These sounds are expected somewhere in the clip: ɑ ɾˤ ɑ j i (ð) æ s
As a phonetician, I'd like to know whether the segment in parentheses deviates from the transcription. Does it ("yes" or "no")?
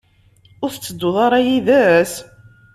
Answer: no